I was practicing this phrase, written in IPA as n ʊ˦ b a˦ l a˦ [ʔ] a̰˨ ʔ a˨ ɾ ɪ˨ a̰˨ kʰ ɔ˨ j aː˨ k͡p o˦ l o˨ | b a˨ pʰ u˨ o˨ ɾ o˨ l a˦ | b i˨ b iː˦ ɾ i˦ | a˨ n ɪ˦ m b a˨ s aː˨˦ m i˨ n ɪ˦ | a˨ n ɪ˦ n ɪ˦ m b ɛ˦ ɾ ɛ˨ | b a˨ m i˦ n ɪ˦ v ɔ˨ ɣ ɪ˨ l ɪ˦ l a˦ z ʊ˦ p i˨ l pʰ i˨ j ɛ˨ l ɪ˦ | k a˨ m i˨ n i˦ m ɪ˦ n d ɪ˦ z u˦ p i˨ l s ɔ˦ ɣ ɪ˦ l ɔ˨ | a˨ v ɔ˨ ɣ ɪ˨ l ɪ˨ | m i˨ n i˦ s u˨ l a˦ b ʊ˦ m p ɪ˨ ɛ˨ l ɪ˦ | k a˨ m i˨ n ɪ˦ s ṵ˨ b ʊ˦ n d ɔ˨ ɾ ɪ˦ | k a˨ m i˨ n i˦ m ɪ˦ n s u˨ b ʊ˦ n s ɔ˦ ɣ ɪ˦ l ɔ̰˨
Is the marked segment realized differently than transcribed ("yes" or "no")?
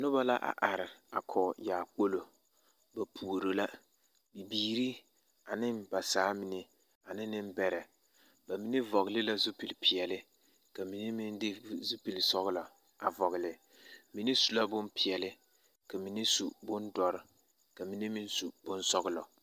no